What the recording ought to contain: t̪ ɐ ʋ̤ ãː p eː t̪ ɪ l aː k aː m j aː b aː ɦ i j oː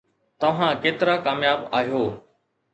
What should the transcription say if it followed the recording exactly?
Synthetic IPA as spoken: t̪ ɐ ʋ̤ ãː k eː t̪ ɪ ɾ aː k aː m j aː b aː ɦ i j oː